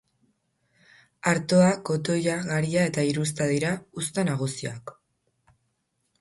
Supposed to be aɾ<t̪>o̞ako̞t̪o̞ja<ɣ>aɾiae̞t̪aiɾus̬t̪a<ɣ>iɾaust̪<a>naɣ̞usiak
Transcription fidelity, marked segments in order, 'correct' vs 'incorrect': correct, correct, incorrect: ð, correct

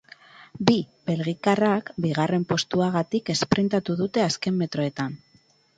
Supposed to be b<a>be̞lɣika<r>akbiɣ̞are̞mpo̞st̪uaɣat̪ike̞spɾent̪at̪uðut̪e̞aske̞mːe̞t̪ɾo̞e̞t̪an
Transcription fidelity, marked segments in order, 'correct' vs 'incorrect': incorrect: i, correct

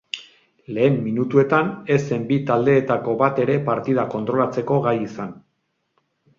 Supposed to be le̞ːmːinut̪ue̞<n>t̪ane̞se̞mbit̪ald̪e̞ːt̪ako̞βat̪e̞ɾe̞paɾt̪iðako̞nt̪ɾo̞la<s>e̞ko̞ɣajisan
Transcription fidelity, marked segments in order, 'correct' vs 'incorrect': incorrect: none, incorrect: t͡s

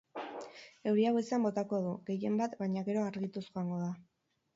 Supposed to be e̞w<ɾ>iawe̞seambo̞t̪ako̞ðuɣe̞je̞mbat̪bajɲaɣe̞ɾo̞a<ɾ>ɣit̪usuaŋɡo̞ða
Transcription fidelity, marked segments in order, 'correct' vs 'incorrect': correct, correct

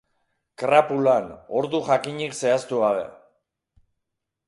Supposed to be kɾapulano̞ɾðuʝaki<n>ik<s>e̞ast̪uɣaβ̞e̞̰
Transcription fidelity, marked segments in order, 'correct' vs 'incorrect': incorrect: ɲ, correct

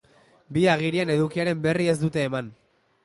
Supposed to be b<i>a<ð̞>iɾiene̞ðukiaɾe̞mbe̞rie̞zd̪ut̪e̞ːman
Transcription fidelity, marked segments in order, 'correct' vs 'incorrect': correct, incorrect: ɣ̞

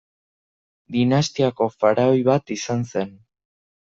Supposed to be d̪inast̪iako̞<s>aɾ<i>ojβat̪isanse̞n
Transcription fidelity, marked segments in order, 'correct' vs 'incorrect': incorrect: f, incorrect: a

